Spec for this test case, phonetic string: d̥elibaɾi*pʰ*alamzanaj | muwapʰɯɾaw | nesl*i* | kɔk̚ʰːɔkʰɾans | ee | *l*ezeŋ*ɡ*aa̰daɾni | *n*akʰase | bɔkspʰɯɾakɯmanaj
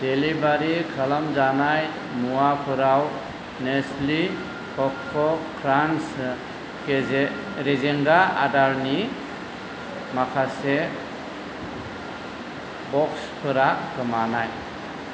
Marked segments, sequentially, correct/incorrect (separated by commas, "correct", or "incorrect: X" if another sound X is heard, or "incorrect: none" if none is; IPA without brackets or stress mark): incorrect: kʰ, correct, incorrect: ɾ, correct, incorrect: m